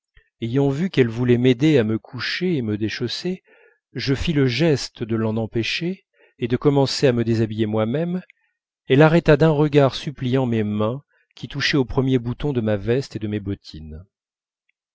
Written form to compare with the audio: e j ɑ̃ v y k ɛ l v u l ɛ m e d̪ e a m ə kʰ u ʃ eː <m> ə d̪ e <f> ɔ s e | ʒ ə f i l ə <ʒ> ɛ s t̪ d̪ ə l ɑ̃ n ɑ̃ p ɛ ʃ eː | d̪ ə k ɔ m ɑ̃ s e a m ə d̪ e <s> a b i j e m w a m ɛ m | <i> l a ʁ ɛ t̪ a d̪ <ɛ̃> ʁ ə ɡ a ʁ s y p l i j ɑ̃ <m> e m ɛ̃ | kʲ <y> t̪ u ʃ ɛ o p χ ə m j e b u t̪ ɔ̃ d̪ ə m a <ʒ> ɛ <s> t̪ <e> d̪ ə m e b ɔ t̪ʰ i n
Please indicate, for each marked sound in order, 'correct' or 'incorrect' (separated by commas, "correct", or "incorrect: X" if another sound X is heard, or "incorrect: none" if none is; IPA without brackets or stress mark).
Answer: correct, incorrect: ʃ, correct, incorrect: z, incorrect: ɛ, correct, correct, incorrect: i, incorrect: v, correct, correct